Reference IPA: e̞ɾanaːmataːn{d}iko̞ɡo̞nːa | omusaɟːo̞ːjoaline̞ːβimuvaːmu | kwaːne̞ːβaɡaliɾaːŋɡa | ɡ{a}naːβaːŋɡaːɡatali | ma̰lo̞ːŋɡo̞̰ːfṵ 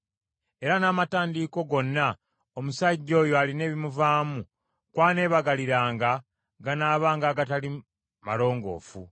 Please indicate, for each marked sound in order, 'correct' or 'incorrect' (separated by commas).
correct, correct